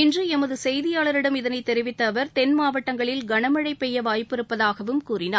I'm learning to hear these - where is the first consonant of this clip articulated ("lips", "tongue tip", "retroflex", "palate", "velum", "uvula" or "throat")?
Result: tongue tip